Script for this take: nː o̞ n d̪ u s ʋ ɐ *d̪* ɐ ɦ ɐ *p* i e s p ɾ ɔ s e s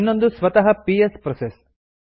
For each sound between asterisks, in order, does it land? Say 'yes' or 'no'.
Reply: no, yes

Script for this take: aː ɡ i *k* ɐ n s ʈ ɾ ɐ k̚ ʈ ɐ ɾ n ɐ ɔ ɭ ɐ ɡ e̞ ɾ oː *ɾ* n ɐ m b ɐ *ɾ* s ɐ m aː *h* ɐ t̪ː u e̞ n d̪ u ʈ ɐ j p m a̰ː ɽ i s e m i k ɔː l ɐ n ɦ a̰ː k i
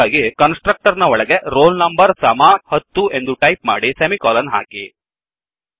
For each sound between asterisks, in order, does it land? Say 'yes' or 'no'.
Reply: yes, no, yes, yes

